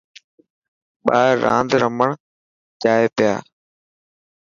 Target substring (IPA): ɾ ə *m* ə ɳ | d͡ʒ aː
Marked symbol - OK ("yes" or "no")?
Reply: yes